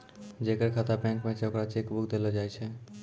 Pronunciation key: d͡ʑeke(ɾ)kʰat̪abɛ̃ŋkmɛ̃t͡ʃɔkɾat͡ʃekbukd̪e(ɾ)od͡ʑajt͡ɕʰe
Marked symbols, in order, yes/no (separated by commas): yes, no